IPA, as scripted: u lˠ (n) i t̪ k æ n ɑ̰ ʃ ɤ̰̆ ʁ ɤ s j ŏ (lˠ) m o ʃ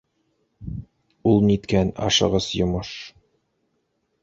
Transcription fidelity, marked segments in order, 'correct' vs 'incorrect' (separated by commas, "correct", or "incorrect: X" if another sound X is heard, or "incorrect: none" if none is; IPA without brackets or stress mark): correct, incorrect: none